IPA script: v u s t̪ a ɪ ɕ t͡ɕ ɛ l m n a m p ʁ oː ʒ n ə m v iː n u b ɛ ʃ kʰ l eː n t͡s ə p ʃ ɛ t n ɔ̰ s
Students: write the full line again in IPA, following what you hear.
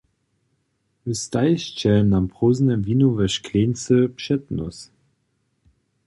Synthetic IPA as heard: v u s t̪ a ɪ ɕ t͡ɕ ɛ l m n a m p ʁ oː z n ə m v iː n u v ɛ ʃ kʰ l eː n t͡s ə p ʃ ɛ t n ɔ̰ s